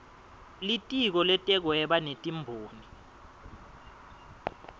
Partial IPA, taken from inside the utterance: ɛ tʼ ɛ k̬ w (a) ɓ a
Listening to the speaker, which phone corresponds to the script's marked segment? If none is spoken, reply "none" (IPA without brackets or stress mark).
ɛ